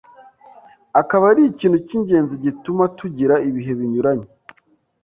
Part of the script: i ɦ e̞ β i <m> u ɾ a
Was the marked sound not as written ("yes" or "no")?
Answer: yes